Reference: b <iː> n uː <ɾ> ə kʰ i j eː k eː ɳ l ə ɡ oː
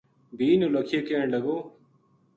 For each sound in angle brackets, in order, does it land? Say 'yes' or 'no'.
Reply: yes, no

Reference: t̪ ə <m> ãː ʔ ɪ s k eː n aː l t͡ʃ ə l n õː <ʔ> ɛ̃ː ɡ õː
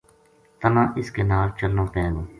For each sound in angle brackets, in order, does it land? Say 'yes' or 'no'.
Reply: no, no

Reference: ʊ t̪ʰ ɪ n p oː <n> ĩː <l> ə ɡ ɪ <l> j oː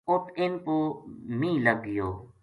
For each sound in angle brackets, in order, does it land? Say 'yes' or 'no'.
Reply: no, yes, no

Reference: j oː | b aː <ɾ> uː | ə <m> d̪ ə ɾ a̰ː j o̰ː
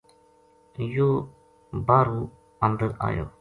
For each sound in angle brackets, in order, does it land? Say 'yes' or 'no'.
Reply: yes, no

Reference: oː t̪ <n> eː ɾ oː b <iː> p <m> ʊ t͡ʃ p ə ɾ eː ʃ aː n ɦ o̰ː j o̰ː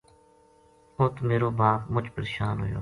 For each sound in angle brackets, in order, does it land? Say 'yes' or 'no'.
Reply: no, no, yes

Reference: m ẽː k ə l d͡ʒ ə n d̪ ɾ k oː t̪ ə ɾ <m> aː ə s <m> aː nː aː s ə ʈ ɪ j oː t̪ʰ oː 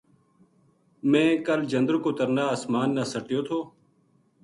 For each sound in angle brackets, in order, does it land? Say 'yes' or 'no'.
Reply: no, yes

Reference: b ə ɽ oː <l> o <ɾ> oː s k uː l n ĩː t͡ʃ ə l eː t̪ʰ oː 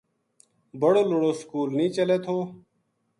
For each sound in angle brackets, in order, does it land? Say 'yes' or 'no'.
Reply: yes, no

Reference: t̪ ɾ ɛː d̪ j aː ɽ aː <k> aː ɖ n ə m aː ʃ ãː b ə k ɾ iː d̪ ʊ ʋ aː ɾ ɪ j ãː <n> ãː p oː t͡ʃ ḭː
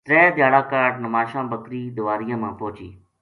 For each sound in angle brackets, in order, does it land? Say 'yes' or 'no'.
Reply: yes, no

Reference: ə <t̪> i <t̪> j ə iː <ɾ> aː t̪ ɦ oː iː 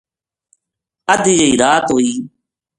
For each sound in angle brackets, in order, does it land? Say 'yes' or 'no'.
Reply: no, no, yes

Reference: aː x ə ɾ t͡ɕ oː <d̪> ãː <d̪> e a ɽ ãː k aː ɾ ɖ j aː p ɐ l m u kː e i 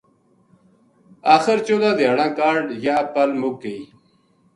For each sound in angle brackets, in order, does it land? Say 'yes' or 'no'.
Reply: yes, yes

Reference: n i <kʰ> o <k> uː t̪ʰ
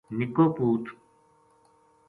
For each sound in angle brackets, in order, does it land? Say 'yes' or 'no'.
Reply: no, no

